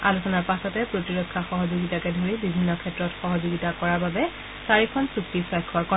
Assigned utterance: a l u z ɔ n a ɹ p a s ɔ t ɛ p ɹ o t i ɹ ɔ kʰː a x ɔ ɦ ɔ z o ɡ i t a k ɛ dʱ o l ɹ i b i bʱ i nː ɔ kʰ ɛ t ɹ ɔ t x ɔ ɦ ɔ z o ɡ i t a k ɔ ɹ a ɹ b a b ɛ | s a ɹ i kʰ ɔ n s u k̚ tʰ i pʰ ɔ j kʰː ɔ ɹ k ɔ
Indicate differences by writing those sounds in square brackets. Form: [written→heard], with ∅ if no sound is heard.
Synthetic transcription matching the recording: a l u [z→s] ɔ n a ɹ p a s ɔ t ɛ p ɹ o t i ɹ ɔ kʰː a x ɔ ɦ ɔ z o ɡ i t a k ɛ dʱ o [l→∅] ɹ i b i bʱ i nː ɔ kʰ ɛ t ɹ ɔ t x ɔ ɦ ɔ z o ɡ i t a k ɔ ɹ a ɹ b a b ɛ | s a ɹ i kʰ ɔ n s u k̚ [tʰ→t] i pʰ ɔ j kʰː ɔ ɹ k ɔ